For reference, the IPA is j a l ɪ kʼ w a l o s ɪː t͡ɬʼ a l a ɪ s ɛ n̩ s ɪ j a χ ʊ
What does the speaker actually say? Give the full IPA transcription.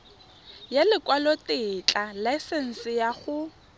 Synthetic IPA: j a l ɪ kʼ w a l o t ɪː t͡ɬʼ a l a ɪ s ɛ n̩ s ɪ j a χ ʊ